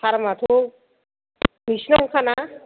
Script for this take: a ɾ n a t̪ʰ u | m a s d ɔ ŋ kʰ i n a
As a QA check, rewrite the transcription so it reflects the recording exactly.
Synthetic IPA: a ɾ m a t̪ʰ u | m i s n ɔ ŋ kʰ a n a